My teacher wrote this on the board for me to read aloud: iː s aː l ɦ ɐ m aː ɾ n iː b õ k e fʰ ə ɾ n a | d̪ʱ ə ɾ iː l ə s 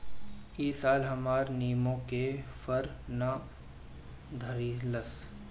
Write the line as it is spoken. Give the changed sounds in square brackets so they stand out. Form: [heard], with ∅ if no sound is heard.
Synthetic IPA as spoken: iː s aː l ɦ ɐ m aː ɾ n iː [m] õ k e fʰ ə ɾ n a | d̪ʱ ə ɾ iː l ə s

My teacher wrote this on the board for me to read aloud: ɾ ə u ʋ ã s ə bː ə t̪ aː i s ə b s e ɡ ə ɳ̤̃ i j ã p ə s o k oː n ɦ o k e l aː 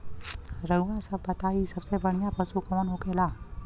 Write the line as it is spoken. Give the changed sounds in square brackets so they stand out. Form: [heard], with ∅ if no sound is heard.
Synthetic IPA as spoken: ɾ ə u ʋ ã s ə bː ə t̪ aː i s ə b s e [b] ə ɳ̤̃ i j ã p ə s [u] k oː n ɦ o k e l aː

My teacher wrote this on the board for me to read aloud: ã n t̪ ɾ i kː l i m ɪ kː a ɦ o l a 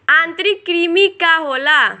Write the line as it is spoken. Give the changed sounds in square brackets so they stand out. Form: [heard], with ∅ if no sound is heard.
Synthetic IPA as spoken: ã n t̪ ɾ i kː [ɾ] i m [i] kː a ɦ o l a

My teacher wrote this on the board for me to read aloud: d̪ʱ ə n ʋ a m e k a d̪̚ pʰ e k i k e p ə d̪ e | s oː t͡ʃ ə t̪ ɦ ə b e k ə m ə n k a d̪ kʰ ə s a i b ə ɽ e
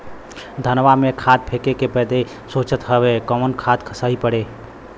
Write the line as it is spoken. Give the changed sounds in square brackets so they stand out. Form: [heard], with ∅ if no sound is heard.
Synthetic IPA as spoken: d̪ʱ ə n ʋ a m e [kʰ] a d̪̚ pʰ e k [e] k e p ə d̪ e | s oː t͡ʃ ə t̪ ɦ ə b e k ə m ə n [kʰ] a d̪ kʰ ə s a i [p] ə ɽ e

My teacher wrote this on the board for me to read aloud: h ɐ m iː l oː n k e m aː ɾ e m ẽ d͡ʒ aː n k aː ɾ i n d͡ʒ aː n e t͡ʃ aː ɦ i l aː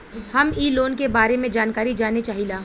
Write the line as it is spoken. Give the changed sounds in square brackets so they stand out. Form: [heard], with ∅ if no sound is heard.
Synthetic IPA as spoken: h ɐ m iː l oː n k e [b] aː ɾ e m ẽ d͡ʒ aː n k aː ɾ i [∅] d͡ʒ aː n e t͡ʃ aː ɦ i l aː

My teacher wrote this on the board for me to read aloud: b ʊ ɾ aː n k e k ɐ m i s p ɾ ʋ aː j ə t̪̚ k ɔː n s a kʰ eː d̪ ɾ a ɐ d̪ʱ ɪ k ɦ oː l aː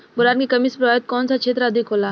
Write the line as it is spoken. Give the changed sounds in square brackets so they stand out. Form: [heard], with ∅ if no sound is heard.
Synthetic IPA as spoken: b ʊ ɾ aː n k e k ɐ m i s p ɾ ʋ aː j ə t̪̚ k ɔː n s a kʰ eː [t̪] ɾ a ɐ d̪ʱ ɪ k ɦ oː l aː

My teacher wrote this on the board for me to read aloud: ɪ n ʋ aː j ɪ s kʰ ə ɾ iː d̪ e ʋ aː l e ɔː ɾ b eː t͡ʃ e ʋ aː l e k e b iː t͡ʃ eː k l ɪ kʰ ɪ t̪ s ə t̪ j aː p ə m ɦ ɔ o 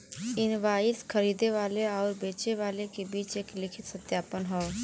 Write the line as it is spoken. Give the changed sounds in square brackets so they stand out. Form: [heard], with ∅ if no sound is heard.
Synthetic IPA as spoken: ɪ n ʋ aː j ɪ s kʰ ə ɾ iː d̪ e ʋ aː l e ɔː ɾ b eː t͡ʃ e ʋ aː l e k e b iː t͡ʃ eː k l ɪ kʰ ɪ t̪ s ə t̪ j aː p ə [n] ɦ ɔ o

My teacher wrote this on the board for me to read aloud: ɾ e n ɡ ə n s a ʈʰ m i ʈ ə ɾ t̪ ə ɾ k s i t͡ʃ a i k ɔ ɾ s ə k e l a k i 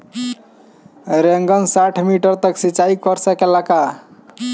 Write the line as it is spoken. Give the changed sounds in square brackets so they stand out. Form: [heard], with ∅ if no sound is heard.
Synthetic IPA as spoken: ɾ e [ŋ] ɡ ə n s a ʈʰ m i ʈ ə ɾ t̪ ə [∅] k s i t͡ʃ a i k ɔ ɾ s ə k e l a k [a]

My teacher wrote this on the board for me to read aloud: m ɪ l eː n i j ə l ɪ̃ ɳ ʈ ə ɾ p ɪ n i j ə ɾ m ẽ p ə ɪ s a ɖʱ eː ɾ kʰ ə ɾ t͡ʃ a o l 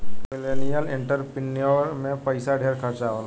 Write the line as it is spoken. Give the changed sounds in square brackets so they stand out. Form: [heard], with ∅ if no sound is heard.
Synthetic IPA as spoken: m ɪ l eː n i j ə l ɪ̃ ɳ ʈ ə ɾ p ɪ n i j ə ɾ m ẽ p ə ɪ s a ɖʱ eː ɾ kʰ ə ɾ t͡ʃ a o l

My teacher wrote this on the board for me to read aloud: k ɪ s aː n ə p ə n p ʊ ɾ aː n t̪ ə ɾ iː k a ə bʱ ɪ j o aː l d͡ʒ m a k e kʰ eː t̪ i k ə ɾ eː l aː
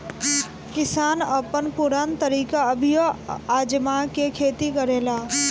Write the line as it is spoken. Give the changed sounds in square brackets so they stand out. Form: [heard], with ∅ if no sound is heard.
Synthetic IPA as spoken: k ɪ s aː n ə p ə n p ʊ ɾ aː n t̪ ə ɾ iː k a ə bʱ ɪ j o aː [∅] d͡ʒ m a k e kʰ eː t̪ i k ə ɾ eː l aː

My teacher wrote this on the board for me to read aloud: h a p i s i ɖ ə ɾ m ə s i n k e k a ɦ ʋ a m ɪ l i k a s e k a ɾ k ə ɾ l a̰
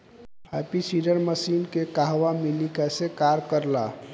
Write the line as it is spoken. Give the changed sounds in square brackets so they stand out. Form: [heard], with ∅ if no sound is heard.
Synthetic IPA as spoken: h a p i s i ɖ ə ɾ m ə s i n k e k a ɦ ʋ a m [i] l i k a s e k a ɾ k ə ɾ l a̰

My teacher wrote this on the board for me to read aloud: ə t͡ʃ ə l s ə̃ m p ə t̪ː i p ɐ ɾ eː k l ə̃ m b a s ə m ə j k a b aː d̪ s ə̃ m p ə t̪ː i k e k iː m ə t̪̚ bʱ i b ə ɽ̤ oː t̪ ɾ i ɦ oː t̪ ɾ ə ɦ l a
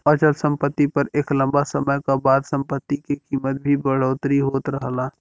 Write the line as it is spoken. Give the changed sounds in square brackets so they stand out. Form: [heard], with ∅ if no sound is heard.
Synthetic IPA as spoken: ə t͡ʃ ə l s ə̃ m p ə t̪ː i p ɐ ɾ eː k l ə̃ m b a s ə m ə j k a b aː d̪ s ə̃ m p ə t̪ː i k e k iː m ə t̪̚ bʱ i b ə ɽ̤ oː t̪ ɾ i ɦ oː t̪ ɾ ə ɦ l a

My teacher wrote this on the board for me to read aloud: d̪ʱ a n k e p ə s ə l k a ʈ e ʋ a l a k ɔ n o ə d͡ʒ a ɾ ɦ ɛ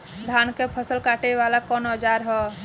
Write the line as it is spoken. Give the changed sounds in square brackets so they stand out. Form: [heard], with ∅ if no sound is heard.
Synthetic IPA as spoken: d̪ʱ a n k e [pʰ] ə s ə l k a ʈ e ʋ a l a k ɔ n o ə d͡ʒ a ɾ ɦ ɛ

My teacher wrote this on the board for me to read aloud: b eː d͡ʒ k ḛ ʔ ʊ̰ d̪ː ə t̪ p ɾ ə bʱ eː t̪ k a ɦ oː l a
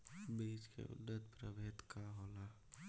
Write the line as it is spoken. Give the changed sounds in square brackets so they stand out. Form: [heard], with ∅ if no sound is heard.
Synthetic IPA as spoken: b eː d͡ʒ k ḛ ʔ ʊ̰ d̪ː ə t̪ p ɾ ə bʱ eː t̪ k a ɦ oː l a

